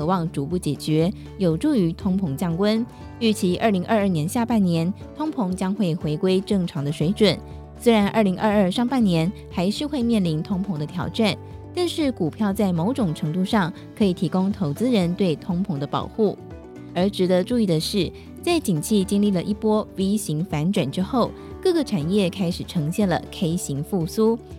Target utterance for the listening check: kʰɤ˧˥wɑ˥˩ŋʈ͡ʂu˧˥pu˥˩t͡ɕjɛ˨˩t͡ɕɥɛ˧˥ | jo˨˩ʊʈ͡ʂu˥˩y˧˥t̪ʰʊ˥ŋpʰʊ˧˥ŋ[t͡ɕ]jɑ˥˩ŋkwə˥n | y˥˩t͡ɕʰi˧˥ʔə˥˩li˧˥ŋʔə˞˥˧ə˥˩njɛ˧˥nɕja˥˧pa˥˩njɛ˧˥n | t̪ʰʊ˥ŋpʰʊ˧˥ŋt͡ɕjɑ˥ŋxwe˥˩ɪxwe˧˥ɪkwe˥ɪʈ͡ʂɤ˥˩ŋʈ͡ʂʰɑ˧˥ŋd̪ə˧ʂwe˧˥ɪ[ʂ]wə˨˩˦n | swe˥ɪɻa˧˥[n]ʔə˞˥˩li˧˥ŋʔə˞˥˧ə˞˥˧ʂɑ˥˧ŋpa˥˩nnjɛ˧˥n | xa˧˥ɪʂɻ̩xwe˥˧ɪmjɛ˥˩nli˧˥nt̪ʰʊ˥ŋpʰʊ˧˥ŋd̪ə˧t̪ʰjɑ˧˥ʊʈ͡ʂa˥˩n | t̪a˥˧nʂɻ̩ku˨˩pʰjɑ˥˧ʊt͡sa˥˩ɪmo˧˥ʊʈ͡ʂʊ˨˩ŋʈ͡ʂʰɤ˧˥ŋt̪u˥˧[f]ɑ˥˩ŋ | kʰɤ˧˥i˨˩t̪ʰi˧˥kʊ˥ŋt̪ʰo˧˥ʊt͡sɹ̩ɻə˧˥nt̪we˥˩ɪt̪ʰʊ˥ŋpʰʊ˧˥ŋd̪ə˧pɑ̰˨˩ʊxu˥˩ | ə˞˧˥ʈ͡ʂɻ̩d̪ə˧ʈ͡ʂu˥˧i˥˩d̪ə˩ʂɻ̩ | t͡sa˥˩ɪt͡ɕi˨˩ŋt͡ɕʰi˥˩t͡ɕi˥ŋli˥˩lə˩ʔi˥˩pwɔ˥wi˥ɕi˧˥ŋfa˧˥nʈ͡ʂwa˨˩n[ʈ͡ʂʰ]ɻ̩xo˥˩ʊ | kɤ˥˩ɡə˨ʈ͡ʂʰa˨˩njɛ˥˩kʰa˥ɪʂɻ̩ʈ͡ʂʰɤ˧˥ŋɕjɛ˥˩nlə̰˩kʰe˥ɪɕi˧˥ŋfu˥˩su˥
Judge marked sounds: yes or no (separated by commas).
yes, no, yes, no, no